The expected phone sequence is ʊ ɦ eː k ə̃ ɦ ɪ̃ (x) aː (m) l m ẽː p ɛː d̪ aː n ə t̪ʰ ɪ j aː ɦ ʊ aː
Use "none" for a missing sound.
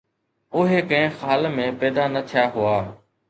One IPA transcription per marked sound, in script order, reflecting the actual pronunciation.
x, none

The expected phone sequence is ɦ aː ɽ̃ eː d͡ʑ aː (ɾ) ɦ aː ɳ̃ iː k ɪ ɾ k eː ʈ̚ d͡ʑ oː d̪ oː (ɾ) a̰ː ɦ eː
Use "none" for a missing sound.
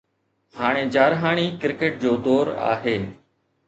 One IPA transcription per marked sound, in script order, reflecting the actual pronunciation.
ɾ, ɾ

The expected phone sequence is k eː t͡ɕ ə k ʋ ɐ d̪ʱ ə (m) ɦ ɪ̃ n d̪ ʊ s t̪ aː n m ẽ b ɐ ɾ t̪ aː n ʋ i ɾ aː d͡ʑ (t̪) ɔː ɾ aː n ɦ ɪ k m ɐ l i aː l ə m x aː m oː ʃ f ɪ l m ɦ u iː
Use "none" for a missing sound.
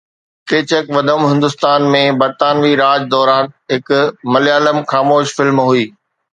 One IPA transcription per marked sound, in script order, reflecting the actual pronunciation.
m, d̪

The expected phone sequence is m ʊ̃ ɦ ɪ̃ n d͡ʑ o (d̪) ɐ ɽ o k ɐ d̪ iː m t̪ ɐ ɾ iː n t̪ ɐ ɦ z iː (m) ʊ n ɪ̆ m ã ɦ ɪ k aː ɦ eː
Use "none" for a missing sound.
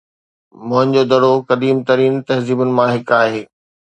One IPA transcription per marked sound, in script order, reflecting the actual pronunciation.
d̪, b

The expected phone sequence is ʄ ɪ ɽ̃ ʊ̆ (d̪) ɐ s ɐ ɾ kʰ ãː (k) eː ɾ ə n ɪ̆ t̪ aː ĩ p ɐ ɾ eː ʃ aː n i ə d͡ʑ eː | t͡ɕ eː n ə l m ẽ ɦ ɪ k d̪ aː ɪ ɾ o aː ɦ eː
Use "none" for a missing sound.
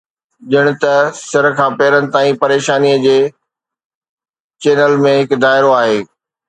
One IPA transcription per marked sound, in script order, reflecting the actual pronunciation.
t̪, p

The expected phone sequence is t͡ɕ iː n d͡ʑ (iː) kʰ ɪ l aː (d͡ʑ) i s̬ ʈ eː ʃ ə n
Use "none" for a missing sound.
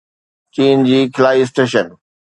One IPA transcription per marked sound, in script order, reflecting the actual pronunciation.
iː, none

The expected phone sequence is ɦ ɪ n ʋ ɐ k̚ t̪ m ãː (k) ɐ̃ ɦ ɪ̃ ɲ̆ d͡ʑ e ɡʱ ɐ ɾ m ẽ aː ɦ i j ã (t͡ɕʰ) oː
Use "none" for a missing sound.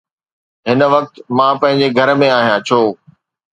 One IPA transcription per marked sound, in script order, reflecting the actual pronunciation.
p, t͡ɕʰ

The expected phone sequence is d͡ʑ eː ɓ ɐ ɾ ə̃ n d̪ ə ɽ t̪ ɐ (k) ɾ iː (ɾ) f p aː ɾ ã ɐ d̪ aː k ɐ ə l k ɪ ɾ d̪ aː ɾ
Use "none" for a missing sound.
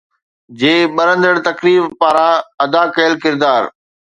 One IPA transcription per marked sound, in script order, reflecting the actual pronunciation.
k, none

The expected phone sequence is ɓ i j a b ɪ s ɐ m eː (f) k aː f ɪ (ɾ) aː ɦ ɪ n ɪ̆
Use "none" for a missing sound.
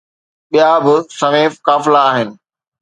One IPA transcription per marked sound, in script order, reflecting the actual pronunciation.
f, l

